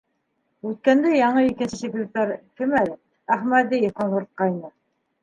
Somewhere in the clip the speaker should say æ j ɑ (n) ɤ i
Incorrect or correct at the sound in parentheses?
incorrect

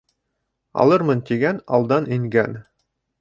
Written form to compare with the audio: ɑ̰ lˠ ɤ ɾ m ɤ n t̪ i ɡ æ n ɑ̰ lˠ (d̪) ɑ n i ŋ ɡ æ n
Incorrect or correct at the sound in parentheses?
correct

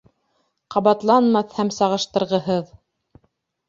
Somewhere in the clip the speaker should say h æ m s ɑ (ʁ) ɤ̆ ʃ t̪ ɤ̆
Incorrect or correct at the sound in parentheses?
correct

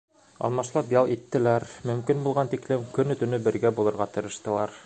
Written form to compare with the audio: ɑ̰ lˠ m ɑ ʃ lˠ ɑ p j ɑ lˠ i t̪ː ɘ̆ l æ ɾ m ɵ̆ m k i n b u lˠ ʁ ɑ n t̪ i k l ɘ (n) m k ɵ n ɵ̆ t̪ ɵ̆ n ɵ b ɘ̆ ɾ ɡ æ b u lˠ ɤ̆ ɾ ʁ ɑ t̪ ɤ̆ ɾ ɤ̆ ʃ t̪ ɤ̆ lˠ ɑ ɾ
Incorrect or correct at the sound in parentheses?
incorrect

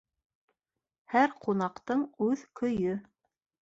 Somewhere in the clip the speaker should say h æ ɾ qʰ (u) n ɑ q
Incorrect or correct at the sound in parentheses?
correct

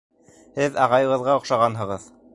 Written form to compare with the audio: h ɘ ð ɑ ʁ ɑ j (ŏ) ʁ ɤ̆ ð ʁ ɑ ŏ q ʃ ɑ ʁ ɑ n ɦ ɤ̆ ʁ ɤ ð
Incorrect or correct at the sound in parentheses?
incorrect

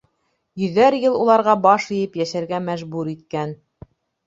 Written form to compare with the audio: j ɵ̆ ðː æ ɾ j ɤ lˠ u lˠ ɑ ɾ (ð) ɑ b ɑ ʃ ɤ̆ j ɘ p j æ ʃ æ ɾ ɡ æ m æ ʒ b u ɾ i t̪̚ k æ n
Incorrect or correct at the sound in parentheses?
incorrect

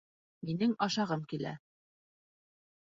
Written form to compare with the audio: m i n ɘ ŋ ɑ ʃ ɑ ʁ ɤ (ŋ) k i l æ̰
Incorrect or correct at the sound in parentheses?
incorrect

